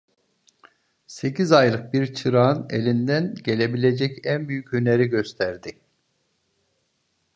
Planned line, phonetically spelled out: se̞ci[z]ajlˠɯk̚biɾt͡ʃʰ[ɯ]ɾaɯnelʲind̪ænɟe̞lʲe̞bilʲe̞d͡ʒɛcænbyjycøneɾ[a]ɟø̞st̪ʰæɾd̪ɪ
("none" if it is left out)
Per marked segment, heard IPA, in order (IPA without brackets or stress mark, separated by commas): z, ɯ, i